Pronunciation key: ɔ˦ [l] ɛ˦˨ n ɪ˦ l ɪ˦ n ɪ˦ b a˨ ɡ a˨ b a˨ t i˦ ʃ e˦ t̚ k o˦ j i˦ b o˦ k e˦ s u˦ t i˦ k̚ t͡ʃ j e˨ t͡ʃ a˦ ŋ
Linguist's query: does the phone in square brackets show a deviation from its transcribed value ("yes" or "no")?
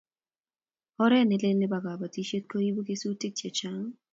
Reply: yes